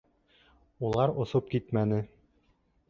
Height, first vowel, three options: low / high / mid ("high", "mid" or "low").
high